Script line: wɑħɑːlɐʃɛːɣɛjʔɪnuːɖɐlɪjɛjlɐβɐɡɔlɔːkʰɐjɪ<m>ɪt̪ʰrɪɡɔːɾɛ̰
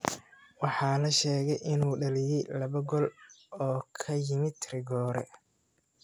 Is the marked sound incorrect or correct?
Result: correct